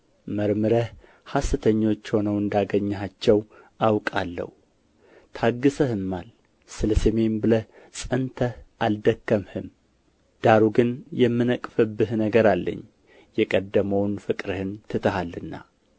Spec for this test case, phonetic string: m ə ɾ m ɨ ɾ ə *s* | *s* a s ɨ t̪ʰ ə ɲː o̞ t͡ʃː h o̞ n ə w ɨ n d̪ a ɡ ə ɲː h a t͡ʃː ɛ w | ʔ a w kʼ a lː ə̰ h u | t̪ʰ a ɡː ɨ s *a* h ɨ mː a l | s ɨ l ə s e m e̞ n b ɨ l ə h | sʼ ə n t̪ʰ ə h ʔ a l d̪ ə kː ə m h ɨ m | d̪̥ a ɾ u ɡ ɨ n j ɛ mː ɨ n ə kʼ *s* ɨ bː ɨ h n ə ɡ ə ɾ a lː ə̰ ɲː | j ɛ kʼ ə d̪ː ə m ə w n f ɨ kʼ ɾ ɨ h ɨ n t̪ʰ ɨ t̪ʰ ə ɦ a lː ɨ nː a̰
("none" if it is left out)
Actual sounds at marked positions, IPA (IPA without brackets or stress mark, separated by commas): h, h, ə, f